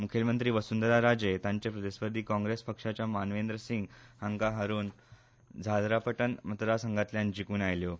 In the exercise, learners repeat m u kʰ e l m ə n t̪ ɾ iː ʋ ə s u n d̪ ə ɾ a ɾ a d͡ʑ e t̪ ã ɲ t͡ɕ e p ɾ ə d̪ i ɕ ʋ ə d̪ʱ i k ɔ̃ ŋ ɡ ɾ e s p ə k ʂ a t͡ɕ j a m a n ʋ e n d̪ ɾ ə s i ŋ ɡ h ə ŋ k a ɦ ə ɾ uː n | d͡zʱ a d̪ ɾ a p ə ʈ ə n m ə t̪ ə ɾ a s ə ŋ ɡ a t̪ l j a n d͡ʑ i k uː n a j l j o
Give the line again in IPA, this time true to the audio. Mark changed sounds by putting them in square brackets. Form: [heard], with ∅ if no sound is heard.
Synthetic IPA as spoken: m u kʰ e l m ə n t̪ ɾ iː ʋ ə s u n d̪ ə ɾ a ɾ a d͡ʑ e t̪ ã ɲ t͡ɕ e p ɾ ə d̪ [e] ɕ ʋ ə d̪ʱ [iː] k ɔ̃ ŋ ɡ ɾ e s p ə k ʂ a t͡ɕ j a m a n ʋ e n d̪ ɾ ə s i ŋ ɡ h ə ŋ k a ɦ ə ɾ uː n | d͡zʱ a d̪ ɾ a p ə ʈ ə n m ə t̪ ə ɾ a s ə ŋ ɡ a t̪ l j a n d͡ʑ i k uː n a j l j o

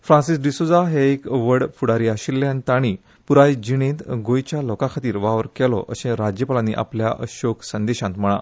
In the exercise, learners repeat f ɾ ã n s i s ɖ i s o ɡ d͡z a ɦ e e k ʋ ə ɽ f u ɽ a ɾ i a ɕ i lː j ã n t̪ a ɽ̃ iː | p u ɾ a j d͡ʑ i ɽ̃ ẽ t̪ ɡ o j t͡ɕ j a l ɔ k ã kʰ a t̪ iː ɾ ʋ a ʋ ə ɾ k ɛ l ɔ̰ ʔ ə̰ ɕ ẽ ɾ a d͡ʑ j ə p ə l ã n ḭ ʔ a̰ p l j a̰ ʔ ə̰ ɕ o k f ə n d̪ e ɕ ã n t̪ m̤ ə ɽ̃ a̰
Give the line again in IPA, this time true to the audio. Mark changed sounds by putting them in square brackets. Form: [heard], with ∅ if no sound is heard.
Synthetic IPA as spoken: f ɾ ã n s i s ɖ i s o [∅] d͡z a ɦ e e k ʋ ə ɽ f u ɽ a ɾ i a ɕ i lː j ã n t̪ a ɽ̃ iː | p u ɾ a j d͡ʑ i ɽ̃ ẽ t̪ ɡ o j t͡ɕ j a l ɔ k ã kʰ a t̪ iː ɾ ʋ a ʋ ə ɾ k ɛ l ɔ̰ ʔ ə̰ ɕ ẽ ɾ a d͡ʑ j ə p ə l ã n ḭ ʔ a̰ p l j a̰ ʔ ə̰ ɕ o k [s] ə n d̪ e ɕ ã n t̪ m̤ ə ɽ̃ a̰

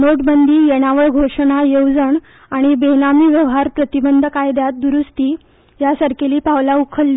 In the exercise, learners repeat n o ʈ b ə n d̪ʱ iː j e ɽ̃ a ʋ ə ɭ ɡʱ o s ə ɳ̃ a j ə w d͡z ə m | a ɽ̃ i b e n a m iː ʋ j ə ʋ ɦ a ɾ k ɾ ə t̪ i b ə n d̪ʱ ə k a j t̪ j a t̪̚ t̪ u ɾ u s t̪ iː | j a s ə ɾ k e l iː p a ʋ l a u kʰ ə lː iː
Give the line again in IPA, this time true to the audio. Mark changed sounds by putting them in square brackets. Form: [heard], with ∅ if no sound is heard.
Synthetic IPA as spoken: n o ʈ b ə n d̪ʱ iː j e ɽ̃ a ʋ ə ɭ ɡʱ o [ʂ] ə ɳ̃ a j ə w d͡z ə [ɳ] | a ɽ̃ i b e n a m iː ʋ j ə ʋ ɦ a ɾ [p] ɾ ə t̪ i b ə n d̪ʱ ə k a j [d̪] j a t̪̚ [d̪] u ɾ u s t̪ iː | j a s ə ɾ k e l iː p a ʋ l a u kʰ ə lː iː

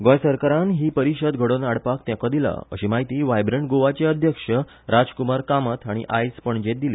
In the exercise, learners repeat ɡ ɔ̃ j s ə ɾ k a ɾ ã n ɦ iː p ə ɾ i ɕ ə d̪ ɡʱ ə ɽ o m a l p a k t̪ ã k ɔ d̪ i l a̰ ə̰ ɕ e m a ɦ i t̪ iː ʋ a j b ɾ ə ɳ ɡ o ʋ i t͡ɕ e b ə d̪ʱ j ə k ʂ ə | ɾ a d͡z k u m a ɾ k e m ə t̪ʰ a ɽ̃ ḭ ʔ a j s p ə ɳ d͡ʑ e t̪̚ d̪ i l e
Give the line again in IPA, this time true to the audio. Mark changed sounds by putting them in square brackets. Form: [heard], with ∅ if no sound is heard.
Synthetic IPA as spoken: ɡ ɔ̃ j s ə ɾ k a ɾ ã n ɦ iː p ə ɾ i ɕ ə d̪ ɡʱ ə ɽ o [n] a [ɽ] p a k t̪ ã k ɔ d̪ i l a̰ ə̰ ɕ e m a ɦ i t̪ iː ʋ a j b ɾ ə ɳ ɡ o ʋ [a] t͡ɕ e [∅] ə d̪ʱ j ə k ʂ ə | ɾ a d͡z k u m a ɾ k [a] m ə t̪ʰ a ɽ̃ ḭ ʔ a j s p ə ɳ d͡ʑ e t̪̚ d̪ i l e

